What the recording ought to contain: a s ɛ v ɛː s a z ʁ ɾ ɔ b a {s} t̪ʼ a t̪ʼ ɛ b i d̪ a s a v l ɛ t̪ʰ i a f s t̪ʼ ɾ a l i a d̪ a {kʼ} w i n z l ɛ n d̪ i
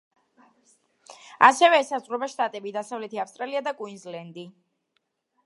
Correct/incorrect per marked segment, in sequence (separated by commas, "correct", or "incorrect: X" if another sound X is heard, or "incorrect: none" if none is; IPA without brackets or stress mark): incorrect: ʃ, correct